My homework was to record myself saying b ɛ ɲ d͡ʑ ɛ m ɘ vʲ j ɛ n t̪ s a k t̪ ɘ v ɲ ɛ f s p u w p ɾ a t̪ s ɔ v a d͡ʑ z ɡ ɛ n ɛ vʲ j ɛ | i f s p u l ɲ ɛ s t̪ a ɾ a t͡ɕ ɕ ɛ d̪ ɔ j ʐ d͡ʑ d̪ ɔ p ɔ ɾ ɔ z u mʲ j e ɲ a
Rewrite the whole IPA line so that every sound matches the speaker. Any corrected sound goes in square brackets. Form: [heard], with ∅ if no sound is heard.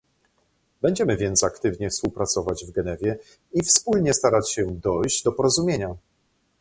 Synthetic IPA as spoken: b ɛ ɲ d͡ʑ ɛ m ɘ vʲ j ɛ n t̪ s a k t̪ ɘ v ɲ ɛ f s p u w p ɾ a t̪ s ɔ v a d͡ʑ [v] ɡ ɛ n ɛ vʲ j ɛ | i f s p u l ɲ ɛ s t̪ a ɾ a t͡ɕ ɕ ɛ d̪ ɔ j [ʑ] d͡ʑ d̪ ɔ p ɔ ɾ ɔ z u mʲ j e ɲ a